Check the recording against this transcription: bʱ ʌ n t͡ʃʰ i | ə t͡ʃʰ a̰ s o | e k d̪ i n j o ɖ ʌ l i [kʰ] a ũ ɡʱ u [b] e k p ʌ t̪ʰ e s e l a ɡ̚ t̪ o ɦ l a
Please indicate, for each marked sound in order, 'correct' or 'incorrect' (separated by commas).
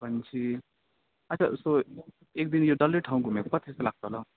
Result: incorrect, incorrect